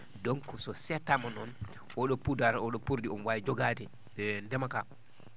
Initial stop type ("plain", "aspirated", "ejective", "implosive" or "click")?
plain